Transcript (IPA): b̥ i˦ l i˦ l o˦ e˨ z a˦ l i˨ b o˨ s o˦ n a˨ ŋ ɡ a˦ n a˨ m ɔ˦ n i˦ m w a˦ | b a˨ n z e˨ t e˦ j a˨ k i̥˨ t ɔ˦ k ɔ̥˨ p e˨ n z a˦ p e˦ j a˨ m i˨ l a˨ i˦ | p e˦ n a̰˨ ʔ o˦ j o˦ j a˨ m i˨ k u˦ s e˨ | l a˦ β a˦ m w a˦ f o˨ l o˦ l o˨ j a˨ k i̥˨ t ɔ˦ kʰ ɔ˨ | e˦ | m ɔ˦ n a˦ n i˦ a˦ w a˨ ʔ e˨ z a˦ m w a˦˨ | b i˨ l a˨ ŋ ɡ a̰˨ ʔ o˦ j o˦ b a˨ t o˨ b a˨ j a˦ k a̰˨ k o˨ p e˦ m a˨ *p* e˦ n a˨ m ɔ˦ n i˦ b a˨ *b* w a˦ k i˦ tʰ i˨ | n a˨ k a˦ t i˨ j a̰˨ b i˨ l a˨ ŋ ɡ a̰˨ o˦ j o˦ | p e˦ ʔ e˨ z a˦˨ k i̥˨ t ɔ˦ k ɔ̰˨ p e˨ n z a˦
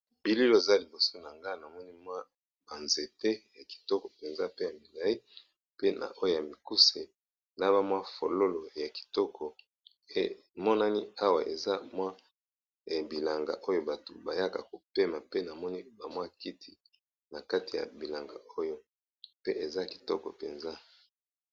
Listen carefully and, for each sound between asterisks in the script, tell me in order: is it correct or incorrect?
correct, incorrect: m

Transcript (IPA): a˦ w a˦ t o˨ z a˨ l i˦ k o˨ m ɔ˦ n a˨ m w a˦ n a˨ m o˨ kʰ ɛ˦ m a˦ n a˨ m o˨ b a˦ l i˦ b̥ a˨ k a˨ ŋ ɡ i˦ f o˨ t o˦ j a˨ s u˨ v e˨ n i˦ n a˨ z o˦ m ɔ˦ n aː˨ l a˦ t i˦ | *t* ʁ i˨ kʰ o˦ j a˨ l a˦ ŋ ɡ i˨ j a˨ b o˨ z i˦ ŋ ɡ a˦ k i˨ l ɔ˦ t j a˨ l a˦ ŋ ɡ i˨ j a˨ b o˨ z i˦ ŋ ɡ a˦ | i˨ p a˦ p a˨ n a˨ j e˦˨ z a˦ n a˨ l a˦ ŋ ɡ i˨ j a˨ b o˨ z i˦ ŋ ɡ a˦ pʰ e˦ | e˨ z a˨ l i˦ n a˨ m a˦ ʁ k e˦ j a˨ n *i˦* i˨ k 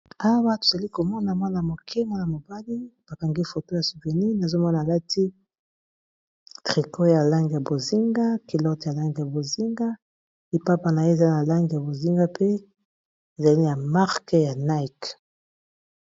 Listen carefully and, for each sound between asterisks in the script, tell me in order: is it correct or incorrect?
correct, incorrect: a˦

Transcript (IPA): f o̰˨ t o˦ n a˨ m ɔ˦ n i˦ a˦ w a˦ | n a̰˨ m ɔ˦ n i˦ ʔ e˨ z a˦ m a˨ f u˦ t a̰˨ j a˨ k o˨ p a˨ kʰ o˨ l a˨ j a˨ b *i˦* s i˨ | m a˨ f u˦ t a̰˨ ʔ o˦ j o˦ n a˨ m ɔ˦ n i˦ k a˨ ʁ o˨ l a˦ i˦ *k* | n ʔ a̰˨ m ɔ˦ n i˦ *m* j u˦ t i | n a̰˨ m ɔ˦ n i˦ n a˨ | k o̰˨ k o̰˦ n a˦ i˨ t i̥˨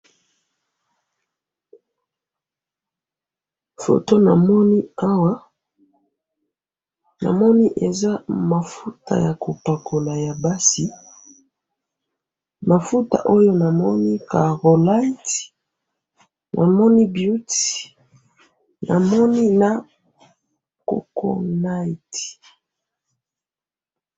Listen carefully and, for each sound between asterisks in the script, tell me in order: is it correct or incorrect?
incorrect: a˦, incorrect: t, incorrect: b

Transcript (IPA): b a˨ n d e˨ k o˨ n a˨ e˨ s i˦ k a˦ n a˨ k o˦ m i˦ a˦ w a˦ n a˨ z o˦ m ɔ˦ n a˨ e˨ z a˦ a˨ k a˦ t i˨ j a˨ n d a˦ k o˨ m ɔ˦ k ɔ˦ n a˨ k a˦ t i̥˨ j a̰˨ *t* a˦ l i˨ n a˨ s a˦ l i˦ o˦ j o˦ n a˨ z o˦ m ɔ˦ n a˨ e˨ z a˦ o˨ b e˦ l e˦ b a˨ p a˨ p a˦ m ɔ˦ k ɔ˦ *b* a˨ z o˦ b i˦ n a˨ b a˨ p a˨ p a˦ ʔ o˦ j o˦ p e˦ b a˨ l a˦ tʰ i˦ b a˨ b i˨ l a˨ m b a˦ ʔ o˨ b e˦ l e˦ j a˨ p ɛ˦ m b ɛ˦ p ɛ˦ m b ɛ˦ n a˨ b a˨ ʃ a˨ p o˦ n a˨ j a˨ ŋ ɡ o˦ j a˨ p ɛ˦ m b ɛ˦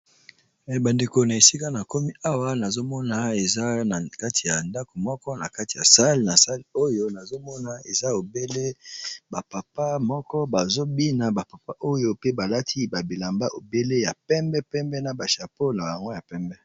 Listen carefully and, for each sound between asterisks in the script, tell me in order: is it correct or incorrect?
incorrect: s, correct

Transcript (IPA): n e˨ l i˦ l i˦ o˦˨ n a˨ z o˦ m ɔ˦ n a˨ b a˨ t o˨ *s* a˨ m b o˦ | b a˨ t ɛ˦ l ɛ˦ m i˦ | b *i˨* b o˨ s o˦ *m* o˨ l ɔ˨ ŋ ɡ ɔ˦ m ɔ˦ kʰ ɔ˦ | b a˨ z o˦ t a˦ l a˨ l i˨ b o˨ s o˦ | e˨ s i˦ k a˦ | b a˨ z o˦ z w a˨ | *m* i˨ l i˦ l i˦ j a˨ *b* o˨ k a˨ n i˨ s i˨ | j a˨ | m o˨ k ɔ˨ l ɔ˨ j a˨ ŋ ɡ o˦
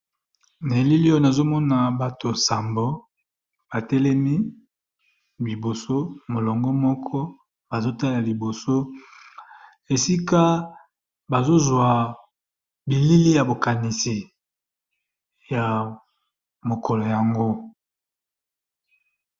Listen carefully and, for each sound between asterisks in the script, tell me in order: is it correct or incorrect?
correct, correct, correct, incorrect: b, correct

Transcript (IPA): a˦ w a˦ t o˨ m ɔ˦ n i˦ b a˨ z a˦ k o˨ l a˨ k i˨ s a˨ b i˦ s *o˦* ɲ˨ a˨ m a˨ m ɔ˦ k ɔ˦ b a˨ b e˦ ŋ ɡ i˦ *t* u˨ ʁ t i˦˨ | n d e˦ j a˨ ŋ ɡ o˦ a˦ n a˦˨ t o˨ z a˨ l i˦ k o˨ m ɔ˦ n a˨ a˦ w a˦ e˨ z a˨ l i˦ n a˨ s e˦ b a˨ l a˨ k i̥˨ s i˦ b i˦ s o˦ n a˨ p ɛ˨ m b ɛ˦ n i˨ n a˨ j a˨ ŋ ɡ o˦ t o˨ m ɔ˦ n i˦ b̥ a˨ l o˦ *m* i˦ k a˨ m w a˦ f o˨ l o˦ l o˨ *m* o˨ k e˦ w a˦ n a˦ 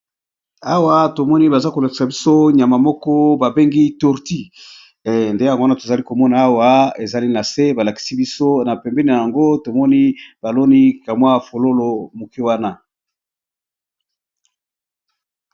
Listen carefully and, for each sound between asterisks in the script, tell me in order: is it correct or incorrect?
correct, correct, incorrect: n, correct

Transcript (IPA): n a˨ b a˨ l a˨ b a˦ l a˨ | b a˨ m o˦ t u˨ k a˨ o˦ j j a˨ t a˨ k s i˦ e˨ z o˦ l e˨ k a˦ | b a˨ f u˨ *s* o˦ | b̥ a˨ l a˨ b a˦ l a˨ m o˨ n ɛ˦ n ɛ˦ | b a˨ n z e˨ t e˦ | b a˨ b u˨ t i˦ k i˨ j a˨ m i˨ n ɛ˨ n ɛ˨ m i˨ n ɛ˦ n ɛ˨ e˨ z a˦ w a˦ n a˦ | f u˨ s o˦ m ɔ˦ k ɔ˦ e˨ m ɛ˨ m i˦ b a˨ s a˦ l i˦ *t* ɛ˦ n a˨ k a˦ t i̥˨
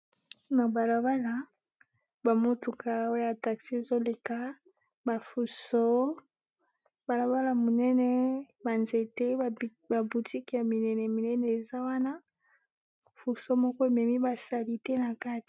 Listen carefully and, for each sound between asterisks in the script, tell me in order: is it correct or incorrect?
correct, correct

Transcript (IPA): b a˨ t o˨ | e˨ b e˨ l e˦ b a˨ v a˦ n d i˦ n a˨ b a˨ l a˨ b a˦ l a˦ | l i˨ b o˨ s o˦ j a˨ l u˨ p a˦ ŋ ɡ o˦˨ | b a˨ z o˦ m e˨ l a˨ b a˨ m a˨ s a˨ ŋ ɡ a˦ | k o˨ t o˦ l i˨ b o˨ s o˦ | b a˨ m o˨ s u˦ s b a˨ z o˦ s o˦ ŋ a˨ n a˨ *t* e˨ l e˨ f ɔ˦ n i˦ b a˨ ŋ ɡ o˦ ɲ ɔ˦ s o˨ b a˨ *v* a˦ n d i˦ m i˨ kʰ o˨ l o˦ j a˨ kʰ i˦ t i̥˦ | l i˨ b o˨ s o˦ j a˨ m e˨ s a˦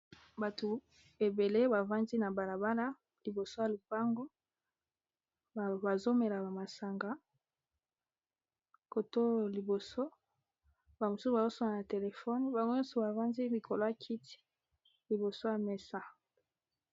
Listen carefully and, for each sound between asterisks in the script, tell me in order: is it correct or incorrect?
correct, correct

